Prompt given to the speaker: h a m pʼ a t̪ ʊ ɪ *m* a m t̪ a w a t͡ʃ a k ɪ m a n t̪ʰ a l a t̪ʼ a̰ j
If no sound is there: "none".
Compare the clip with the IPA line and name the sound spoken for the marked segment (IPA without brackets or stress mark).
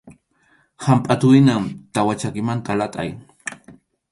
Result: n